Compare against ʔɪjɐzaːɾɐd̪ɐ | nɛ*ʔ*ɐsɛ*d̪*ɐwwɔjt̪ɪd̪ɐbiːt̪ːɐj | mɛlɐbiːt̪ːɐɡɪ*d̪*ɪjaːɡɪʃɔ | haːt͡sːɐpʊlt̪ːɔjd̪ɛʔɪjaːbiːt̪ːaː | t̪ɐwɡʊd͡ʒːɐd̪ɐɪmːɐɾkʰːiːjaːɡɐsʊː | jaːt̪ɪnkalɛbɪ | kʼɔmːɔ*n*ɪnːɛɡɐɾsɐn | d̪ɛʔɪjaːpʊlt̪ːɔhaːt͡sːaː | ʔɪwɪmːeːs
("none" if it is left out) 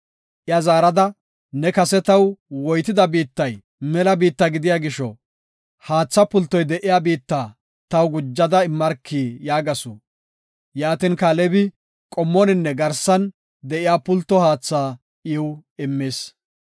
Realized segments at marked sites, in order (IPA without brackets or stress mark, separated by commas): k, t̪, d̪, n